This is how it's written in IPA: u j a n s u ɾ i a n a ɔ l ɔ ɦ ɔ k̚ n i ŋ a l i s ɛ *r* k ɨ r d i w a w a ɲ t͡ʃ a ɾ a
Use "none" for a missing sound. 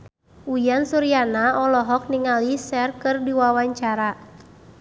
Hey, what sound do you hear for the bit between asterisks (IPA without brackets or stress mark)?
r